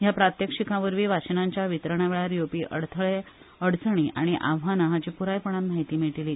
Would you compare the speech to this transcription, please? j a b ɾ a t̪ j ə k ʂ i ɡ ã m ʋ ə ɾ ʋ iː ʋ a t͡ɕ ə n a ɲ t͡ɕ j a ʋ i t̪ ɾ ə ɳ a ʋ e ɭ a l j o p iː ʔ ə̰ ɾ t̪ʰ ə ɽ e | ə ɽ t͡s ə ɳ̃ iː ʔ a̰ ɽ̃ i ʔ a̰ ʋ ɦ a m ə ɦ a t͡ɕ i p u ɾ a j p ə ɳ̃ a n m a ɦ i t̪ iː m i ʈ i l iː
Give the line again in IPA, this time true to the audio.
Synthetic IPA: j a p ɾ a t̪ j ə k ʂ i k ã ʋ ə ɾ ʋ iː ʋ a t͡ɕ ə n a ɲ t͡ɕ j a ʋ i t̪ ɾ ə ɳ a ʋ e ɭ a ɾ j o p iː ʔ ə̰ ɽ t̪ʰ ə ɭ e | ə ɽ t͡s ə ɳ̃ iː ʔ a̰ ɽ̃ i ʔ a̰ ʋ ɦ a n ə ɦ a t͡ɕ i p u ɾ a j p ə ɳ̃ a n m a ɦ i t̪ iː m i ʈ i l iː